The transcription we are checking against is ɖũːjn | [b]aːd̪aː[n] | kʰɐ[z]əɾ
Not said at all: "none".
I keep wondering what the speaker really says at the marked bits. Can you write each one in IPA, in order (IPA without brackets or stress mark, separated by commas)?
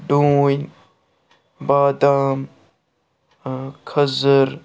b, m, z